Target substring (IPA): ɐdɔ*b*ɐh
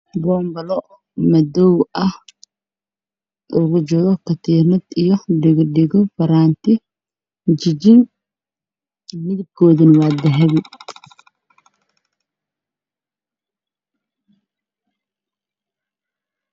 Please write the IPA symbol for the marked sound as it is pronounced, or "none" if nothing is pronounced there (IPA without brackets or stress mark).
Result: w